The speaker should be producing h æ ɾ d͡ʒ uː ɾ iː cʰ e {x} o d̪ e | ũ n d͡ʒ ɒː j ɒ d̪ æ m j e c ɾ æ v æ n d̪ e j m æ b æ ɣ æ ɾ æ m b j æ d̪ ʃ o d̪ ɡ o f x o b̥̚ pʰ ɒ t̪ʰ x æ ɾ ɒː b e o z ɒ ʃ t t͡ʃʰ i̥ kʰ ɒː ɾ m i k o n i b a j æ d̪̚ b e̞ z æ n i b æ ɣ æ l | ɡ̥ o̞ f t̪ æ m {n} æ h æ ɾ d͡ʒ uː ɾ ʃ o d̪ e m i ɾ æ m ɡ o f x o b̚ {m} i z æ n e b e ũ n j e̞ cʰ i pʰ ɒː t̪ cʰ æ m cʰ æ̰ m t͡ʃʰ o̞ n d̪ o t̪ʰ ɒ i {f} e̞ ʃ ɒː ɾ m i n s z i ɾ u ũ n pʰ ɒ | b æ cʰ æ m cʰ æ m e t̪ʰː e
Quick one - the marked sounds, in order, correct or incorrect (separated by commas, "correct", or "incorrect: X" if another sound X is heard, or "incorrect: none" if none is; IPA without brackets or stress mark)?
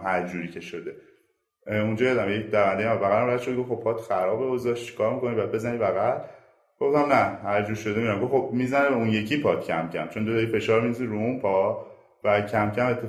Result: incorrect: ʃ, correct, correct, correct